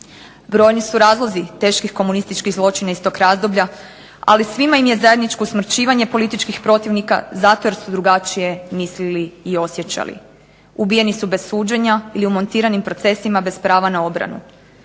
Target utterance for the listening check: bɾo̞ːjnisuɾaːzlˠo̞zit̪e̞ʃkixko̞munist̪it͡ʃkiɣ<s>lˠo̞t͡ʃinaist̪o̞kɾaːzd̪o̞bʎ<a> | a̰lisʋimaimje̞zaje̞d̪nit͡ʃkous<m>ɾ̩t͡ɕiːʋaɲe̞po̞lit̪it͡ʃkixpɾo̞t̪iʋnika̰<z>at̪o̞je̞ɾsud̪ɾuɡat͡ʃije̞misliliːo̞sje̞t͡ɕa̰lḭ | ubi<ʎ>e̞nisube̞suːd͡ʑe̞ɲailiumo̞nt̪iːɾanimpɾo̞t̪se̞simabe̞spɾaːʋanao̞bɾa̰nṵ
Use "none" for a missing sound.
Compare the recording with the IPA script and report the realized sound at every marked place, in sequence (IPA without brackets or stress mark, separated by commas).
z, a, m, z, j